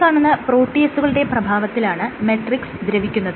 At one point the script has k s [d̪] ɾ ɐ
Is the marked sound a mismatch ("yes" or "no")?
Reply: no